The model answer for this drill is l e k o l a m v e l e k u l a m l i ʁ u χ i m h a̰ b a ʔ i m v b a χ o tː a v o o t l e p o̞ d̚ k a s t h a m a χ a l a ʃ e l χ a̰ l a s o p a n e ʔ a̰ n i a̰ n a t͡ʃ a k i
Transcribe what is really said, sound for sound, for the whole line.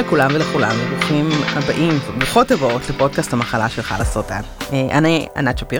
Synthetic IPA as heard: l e k u l a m v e l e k u l a m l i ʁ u χ i m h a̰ b a ʔ i m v b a χ o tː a v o o t l e p o̞ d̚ k a s t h a m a χ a l a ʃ e l χ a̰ l a s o t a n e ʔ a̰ n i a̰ n a t͡ʃ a p i